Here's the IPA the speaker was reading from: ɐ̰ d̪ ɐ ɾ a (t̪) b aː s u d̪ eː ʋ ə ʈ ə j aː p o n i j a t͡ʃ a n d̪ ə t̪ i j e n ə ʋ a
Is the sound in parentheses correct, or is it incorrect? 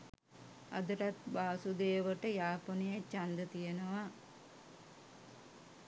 correct